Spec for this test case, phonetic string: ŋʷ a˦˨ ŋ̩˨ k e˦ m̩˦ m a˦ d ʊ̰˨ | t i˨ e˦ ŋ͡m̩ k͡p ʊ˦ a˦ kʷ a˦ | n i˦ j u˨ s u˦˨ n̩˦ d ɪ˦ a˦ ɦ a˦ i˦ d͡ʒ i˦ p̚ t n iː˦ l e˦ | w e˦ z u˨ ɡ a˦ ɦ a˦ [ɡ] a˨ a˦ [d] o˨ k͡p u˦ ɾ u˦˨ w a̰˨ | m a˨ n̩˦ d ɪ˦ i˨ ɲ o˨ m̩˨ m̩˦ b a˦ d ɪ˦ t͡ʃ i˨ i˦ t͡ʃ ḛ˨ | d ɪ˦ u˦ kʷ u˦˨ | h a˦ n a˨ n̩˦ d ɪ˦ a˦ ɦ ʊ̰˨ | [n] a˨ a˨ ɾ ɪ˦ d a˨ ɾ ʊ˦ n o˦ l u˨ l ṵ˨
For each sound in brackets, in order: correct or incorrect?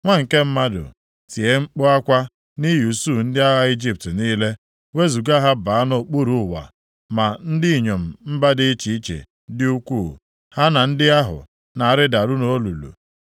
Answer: incorrect: b, incorrect: n, correct

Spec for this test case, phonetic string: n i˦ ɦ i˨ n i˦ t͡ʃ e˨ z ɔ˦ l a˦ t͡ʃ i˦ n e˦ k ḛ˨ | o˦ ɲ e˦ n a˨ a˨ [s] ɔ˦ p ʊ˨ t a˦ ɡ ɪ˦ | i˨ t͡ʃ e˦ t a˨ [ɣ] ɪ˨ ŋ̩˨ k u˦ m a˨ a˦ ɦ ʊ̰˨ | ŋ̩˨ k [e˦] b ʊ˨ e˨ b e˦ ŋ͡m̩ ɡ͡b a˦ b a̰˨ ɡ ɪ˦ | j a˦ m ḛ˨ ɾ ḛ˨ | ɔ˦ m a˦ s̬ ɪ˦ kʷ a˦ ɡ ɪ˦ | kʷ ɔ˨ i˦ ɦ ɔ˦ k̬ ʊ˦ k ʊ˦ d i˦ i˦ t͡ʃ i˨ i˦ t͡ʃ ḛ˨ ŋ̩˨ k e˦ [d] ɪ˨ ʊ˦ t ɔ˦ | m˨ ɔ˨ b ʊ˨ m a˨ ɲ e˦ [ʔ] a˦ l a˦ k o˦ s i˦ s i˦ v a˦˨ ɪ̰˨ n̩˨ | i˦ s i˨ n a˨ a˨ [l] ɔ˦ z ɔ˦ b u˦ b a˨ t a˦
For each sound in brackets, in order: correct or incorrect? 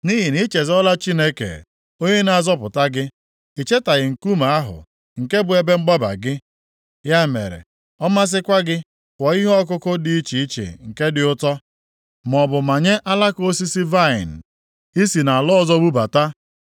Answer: incorrect: z, correct, correct, correct, correct, correct

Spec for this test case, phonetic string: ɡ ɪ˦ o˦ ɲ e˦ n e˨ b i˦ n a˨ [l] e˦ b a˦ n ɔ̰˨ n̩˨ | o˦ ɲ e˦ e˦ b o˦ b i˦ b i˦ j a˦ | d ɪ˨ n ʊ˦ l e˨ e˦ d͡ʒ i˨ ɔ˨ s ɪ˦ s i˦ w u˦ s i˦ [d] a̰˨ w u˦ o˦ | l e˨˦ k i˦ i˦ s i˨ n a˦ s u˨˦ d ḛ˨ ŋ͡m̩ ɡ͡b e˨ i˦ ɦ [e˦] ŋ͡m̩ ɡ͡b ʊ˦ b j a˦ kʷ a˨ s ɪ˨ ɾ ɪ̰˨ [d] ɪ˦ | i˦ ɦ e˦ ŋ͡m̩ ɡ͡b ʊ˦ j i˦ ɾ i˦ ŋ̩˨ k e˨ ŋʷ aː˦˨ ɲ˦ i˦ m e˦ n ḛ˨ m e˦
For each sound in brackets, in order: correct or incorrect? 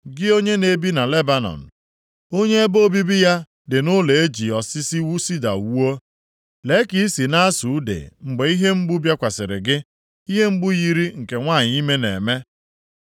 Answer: correct, correct, correct, incorrect: ɡ

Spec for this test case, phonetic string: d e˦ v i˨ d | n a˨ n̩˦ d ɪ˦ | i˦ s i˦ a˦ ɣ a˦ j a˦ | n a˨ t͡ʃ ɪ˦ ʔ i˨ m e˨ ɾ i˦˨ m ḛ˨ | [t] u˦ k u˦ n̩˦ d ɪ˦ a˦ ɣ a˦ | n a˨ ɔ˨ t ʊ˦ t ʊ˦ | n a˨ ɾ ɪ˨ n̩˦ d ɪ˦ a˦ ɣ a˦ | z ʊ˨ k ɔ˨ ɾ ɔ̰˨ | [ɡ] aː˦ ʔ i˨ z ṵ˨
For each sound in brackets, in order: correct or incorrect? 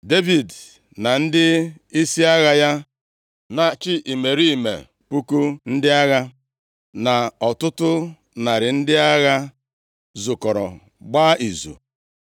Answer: incorrect: p, incorrect: ɡ͡b

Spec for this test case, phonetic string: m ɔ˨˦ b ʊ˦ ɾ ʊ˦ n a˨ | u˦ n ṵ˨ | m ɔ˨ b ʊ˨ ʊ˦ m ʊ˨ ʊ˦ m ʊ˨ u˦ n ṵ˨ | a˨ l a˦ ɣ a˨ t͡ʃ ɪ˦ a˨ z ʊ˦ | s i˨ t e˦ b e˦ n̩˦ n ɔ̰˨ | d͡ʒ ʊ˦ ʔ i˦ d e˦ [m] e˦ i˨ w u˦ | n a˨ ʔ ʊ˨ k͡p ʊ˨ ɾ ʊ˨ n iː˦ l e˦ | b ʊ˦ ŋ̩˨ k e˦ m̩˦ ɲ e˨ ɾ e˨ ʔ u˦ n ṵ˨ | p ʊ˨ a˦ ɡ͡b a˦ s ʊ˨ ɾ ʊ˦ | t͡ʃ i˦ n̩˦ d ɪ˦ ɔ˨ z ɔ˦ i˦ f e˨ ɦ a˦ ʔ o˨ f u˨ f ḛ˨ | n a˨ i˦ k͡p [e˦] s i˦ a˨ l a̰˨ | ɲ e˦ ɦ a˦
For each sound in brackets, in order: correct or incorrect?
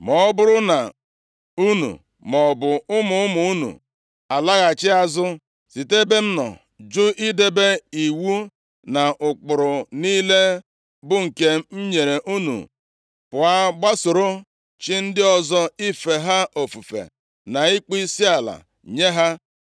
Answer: incorrect: b, incorrect: i˦

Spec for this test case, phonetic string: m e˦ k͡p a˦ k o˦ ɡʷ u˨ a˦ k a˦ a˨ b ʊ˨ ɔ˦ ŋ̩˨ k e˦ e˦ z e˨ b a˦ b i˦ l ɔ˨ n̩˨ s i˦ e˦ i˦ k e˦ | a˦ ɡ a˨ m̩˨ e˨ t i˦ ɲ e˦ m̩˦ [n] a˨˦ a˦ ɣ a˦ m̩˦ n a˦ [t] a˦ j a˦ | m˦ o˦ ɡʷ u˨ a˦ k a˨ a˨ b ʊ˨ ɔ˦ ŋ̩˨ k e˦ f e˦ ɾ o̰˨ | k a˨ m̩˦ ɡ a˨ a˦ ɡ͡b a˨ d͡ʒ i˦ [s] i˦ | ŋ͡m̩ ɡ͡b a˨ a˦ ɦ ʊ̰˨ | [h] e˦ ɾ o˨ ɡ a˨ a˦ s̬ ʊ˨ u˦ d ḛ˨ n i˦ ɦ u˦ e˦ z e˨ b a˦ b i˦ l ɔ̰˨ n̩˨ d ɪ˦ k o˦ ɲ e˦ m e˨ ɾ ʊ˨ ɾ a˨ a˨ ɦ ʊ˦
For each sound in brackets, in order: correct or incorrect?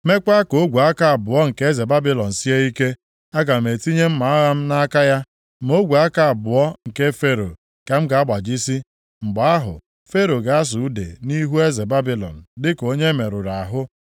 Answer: incorrect: m, incorrect: k, correct, incorrect: f

